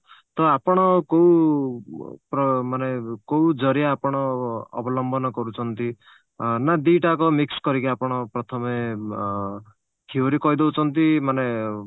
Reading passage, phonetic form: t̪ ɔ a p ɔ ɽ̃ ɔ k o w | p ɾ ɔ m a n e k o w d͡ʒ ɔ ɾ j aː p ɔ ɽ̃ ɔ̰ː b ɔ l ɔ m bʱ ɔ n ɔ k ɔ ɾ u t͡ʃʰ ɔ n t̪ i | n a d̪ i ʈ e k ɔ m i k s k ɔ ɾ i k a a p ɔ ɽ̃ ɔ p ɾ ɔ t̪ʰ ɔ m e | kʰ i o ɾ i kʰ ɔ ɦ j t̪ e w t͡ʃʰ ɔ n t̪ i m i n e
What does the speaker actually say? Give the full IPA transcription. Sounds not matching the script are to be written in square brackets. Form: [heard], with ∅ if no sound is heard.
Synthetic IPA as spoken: t̪ ɔ a p ɔ ɽ̃ ɔ k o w | p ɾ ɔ m a n e k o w d͡ʒ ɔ ɾ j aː p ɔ ɽ̃ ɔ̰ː b ɔ l ɔ m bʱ ɔ n ɔ k ɔ ɾ u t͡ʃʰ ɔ n t̪ i | n a d̪ i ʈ [a] k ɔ m i k s k ɔ ɾ i k [i] a p ɔ ɽ̃ ɔ p ɾ ɔ t̪ʰ ɔ m e | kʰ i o ɾ i [k] ɔ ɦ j [d̪] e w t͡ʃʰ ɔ n t̪ i m [a] n e